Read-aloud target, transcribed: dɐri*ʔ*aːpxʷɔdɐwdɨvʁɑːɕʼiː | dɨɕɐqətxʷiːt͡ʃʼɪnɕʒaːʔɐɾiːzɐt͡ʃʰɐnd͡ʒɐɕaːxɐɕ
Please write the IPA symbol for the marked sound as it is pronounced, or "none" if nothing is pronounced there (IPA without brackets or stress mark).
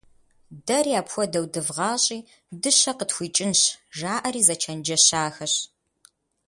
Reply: none